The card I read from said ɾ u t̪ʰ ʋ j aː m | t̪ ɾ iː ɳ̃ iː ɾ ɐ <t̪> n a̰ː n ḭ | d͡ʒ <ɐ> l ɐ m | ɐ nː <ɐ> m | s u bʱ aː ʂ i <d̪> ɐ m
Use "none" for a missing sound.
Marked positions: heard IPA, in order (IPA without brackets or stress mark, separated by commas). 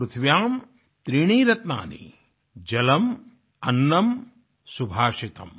t̪, ɐ, ɐ, t̪